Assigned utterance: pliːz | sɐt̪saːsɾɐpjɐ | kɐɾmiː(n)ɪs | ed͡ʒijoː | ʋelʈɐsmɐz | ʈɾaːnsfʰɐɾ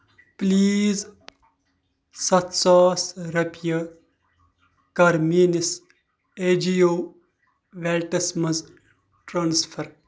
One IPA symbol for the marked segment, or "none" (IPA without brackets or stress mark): n